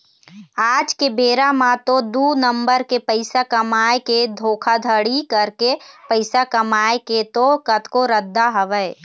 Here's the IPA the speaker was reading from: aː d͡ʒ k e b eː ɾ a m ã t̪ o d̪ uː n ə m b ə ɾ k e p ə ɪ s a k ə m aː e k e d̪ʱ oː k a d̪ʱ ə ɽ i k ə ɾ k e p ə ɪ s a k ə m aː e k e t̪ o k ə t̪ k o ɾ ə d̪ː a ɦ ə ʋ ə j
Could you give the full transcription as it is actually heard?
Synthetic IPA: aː d͡ʒ k e b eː ɾ a m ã t̪ o d̪ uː n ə m b ə ɾ k e p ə ɪ s a k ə m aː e k e d̪ʱ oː kʰ a d̪ʱ ə ɽ i k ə ɾ k e p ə ɪ s a k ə m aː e k e t̪ o k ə t̪ k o ɾ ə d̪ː a ɦ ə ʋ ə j